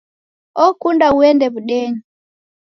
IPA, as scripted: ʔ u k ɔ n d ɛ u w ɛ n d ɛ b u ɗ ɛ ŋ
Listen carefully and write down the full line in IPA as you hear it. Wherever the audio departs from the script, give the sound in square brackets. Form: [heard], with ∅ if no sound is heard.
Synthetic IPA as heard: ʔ [ɔ] k [u] n d [a] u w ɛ n d ɛ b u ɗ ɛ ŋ